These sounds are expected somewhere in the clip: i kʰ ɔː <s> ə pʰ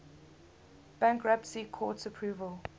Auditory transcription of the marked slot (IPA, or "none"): t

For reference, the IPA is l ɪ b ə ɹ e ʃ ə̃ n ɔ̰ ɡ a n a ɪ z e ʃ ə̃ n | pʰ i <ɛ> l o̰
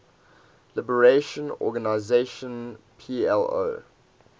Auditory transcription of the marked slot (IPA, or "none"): ɛ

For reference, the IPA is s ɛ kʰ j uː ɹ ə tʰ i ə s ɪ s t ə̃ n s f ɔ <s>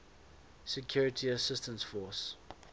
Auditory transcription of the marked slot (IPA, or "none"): s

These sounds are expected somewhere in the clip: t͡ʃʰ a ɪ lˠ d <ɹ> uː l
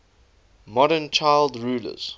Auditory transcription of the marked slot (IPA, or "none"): ɹ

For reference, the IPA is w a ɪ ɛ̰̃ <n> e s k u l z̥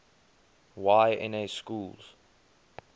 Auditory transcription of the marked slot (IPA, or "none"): n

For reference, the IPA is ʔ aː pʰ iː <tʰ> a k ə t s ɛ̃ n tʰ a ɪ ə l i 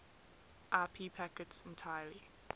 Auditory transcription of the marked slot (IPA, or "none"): pʰ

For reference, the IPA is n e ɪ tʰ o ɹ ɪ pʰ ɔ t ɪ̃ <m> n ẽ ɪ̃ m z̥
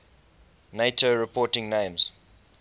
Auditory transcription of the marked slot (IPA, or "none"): ŋ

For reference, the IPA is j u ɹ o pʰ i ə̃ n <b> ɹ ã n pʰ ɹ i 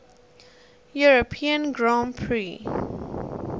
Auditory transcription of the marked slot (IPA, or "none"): ɡ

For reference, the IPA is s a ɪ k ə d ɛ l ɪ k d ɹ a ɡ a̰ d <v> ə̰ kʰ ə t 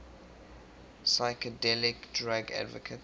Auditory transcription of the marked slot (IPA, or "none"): v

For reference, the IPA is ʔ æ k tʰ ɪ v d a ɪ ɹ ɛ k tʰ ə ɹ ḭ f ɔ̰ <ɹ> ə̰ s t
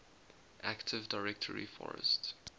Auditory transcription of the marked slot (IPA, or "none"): ɹ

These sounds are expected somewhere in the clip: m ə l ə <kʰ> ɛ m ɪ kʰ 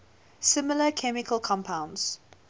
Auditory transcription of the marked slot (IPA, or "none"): kʰ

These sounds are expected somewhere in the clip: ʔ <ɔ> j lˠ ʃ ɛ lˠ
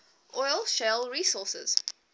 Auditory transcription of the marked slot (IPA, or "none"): ɔ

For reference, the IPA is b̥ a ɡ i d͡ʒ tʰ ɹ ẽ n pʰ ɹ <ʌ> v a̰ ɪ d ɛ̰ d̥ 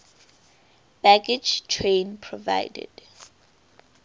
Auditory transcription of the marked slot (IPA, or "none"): ɔ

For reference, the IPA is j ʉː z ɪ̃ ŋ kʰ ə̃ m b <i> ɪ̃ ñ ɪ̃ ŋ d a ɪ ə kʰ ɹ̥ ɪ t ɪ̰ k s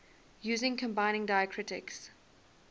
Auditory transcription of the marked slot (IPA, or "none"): a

